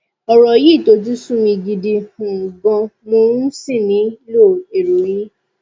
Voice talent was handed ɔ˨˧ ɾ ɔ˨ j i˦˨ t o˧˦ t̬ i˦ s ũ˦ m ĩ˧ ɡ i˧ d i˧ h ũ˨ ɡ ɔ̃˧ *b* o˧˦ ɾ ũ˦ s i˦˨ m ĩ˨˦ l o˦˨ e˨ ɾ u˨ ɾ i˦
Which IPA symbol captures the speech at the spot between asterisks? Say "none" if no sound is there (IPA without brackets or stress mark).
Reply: m